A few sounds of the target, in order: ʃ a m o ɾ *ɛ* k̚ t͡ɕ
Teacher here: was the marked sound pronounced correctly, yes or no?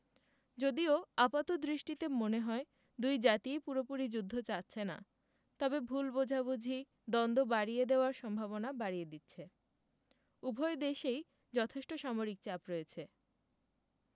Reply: no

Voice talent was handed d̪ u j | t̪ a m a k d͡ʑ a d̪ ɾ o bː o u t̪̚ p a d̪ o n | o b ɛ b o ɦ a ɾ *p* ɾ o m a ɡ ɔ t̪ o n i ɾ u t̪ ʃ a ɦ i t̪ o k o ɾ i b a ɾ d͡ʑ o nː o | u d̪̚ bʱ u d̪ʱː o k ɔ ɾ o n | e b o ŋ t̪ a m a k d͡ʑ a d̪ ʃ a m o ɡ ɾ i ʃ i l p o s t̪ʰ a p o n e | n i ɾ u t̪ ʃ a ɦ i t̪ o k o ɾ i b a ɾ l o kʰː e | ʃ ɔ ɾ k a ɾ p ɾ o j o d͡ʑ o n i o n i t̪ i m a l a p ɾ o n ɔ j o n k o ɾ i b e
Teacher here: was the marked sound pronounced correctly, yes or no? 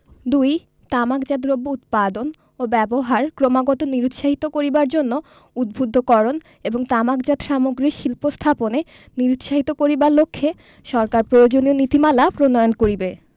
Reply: no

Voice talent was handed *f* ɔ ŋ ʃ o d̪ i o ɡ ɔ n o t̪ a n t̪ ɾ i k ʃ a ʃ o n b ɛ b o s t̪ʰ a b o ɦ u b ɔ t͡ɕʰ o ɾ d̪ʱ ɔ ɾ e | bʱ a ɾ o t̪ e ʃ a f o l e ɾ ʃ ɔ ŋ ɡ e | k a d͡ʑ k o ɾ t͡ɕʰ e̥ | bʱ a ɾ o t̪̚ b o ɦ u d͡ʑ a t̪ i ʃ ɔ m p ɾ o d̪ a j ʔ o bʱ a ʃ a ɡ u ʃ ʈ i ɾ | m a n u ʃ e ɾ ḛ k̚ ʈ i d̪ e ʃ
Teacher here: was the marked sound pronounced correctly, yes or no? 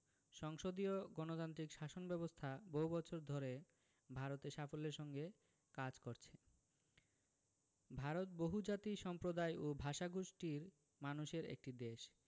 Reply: no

